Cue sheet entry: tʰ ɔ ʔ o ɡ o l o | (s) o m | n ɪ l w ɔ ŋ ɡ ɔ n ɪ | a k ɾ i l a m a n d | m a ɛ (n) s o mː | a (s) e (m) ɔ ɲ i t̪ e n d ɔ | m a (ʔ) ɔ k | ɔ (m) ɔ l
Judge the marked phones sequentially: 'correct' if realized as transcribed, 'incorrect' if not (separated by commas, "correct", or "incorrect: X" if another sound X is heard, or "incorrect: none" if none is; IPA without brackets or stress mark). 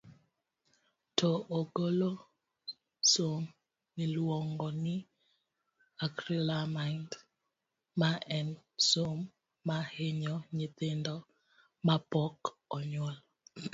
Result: correct, correct, incorrect: h, incorrect: ɲ, incorrect: p, incorrect: ɲ